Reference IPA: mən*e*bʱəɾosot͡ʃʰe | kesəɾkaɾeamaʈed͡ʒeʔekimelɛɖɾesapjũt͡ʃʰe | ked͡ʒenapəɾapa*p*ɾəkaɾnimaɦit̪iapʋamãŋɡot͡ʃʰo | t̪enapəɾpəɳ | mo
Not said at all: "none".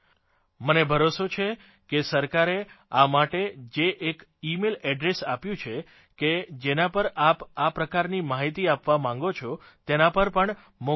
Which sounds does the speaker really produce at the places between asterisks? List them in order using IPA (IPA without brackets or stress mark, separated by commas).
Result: e, p